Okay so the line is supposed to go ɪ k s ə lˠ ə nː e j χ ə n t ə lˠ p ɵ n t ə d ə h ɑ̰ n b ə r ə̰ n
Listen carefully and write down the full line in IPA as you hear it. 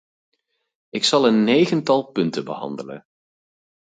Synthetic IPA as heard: ɪ k s ɑ lˠ ə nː e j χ ə n t ɑ lˠ p ɵ n t ə b ə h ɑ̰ n d ə l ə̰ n